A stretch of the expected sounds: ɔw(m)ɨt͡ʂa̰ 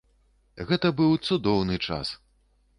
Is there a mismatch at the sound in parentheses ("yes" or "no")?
yes